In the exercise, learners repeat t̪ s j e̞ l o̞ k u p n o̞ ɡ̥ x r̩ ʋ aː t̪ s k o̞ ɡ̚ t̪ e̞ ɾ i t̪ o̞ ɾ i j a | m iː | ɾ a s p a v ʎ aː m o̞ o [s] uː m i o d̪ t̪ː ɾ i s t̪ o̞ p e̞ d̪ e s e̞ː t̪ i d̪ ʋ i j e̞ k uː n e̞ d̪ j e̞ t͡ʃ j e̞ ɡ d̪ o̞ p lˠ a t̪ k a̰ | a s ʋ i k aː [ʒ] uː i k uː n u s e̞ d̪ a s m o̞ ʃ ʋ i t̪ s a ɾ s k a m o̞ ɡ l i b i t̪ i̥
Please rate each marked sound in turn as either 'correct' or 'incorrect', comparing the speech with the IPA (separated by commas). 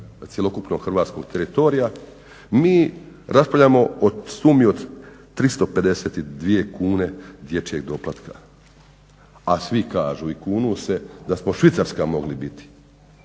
correct, correct